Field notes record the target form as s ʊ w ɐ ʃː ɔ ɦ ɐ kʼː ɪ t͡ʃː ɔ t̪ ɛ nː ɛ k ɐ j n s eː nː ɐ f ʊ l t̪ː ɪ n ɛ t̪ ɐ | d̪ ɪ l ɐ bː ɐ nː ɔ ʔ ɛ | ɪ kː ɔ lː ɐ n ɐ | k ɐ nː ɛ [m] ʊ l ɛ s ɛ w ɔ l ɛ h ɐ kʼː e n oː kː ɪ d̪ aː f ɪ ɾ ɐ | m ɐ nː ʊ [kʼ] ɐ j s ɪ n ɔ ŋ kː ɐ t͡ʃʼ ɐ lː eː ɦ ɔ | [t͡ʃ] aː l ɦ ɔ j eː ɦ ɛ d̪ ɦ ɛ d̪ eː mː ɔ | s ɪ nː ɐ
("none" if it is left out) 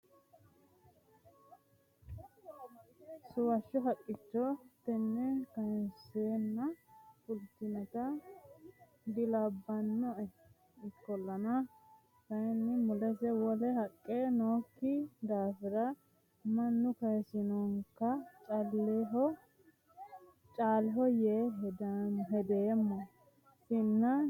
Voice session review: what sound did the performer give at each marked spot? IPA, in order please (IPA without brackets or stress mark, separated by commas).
m, k, t͡ʃʼ